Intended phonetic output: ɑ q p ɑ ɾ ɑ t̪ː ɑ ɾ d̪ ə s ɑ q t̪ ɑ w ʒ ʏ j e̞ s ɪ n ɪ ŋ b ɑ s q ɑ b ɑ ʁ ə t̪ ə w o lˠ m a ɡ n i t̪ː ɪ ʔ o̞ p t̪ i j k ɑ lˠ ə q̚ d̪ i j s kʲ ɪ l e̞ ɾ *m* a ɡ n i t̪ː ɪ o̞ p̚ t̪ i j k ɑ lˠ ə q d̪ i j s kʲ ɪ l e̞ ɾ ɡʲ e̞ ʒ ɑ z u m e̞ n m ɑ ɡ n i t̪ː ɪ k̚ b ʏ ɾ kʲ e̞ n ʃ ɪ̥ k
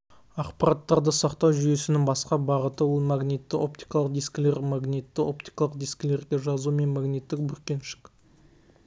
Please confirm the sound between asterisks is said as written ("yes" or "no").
yes